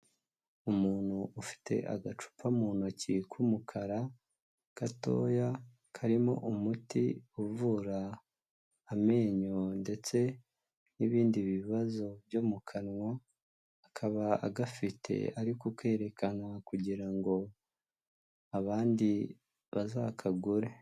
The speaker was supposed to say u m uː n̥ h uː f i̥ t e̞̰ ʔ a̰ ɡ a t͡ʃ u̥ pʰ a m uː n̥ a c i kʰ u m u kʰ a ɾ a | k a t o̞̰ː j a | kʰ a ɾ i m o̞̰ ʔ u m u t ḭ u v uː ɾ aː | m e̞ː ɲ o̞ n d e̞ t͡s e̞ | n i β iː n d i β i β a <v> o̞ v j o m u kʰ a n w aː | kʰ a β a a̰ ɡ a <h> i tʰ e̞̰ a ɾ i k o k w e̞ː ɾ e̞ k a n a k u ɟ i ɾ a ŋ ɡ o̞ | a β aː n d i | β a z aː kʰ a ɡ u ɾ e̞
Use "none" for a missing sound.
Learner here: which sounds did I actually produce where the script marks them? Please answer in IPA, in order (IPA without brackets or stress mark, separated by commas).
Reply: z, f